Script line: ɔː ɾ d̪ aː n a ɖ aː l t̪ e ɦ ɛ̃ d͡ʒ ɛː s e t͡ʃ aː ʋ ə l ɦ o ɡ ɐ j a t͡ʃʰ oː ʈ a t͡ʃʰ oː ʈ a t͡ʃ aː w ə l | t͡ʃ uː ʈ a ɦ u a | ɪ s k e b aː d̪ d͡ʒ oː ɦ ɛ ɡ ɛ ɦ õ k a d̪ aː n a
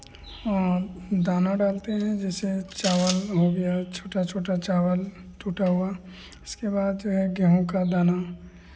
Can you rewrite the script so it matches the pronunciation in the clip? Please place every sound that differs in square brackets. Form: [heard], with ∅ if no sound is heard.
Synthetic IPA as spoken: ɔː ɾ d̪ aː n a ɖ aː l t̪ e ɦ ɛ̃ d͡ʒ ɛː s e t͡ʃ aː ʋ ə l ɦ o ɡ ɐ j a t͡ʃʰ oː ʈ a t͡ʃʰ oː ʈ a t͡ʃ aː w ə l | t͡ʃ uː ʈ a ɦ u a | ɪ s k e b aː d̪ d͡ʒ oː ɦ ɛ ɡ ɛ ɦ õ k a d̪ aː n a